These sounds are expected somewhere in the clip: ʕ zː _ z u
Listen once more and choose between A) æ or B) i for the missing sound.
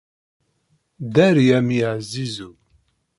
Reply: B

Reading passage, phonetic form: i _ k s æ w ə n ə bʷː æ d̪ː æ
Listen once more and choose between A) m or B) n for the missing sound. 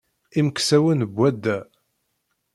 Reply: A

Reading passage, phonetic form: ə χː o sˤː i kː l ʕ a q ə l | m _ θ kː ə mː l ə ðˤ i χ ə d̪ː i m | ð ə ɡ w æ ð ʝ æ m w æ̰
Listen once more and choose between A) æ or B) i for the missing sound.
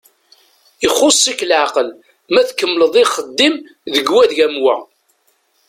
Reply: A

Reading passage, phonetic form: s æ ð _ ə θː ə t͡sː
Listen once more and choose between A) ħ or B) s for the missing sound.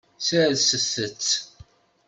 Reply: B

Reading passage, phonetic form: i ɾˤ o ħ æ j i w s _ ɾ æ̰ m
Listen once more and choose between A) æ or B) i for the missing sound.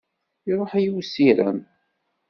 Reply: B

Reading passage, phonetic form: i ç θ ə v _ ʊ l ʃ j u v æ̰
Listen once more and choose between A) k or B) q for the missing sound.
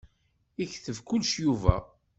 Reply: A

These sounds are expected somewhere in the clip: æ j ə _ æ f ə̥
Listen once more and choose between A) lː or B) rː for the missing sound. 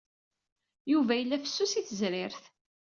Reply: A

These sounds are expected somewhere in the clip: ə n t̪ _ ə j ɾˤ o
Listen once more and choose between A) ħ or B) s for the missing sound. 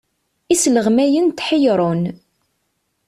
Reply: A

